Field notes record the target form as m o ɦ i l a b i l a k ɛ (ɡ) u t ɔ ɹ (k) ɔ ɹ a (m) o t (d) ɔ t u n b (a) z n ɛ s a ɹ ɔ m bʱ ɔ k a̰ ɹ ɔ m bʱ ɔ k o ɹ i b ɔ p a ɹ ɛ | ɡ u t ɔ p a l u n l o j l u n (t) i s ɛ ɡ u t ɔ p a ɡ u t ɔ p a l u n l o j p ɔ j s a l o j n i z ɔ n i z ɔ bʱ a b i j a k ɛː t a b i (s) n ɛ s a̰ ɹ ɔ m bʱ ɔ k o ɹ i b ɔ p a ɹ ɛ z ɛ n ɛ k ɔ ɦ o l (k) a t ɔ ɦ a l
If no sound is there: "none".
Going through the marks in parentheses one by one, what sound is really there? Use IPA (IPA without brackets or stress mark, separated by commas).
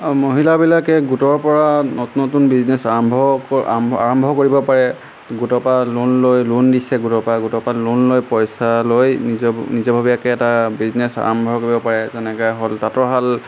ɡ, p, n, n, i, d, z, t